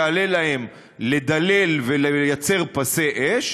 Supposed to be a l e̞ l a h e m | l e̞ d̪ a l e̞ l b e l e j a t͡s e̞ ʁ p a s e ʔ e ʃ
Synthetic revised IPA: a l e̞ l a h e m | l e̞ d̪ a l e̞ l v e l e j a t͡s e̞ ʁ p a s e ʔ e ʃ